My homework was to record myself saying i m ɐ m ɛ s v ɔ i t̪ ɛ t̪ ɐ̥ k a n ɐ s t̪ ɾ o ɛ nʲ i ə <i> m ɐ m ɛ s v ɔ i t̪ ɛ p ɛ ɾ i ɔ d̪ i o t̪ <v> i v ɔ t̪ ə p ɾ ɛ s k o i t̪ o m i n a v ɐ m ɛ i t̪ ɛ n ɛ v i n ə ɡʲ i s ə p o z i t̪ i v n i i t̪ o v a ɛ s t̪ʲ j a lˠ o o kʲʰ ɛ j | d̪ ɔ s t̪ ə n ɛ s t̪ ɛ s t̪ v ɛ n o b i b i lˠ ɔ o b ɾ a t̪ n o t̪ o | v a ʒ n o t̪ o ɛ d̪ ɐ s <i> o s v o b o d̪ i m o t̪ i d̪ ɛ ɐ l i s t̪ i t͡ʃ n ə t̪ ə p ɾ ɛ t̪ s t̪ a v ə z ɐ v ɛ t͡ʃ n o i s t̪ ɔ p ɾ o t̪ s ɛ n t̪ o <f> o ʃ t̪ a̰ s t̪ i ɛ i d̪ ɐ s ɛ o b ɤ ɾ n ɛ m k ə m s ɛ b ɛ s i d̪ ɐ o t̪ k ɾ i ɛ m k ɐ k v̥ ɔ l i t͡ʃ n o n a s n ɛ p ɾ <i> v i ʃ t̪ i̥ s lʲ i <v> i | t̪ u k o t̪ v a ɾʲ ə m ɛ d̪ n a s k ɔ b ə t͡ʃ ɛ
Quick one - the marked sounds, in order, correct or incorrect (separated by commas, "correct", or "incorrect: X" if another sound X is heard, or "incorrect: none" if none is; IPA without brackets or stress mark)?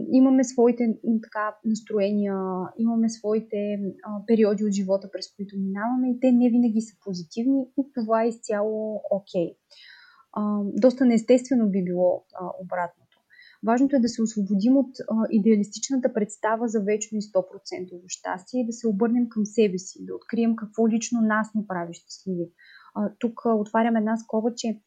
correct, incorrect: ʒ, incorrect: ɛ, incorrect: v, incorrect: a, correct